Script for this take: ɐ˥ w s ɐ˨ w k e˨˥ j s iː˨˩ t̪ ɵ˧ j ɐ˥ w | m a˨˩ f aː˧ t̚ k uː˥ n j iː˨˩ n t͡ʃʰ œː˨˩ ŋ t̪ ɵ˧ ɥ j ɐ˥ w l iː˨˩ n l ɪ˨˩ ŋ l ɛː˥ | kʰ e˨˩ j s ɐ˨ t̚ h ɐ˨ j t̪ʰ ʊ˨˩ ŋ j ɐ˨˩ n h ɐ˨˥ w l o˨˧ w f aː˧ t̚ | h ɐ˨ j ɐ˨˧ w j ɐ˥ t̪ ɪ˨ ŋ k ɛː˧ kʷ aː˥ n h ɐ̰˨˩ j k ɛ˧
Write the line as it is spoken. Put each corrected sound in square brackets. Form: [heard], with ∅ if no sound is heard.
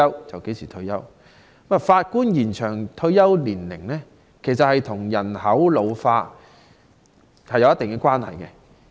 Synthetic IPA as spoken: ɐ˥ w [t͡s] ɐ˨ w k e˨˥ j s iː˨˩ [t̪ʰ] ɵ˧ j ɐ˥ w | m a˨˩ f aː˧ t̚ k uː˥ n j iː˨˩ n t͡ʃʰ œː˨˩ ŋ [t̪ʰ] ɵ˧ ɥ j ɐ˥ w l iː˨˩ n l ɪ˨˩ ŋ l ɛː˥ | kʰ e˨˩ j s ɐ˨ t̚ h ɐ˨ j t̪ʰ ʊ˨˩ ŋ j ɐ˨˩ n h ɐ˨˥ w l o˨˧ w f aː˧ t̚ | h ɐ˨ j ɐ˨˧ w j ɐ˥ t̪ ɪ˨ ŋ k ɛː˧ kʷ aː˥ n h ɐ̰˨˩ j k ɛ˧